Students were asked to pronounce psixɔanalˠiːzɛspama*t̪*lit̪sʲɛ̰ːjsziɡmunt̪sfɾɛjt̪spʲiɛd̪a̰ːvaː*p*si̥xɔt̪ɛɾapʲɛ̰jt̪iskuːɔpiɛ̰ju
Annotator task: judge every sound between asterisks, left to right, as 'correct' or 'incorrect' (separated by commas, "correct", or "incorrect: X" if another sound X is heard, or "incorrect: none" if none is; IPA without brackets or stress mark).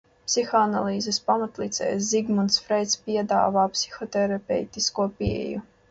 correct, correct